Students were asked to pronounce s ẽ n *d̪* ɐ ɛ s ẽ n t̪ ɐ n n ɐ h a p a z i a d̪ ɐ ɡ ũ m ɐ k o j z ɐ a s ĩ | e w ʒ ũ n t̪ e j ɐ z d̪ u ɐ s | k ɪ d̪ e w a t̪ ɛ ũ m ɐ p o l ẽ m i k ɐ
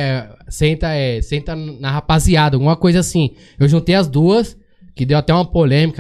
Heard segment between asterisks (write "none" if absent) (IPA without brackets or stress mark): t̪